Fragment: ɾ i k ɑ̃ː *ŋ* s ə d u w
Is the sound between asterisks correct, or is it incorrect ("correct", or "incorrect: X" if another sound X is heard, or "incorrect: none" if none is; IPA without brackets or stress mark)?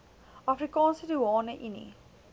incorrect: n